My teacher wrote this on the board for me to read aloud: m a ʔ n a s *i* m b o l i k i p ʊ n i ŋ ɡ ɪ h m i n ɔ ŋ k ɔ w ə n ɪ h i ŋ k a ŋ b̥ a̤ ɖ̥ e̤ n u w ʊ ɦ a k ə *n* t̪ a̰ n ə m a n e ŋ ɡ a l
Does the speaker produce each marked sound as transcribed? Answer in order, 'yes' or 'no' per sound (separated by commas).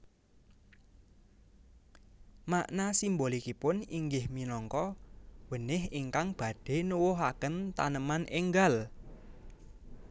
yes, yes